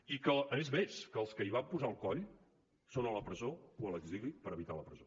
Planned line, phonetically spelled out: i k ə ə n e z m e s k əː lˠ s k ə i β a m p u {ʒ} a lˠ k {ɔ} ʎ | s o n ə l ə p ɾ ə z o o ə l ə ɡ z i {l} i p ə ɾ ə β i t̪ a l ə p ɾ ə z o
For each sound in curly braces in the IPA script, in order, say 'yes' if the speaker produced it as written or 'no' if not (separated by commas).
no, yes, yes